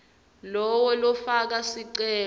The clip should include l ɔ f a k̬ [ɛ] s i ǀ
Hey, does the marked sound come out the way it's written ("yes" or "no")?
no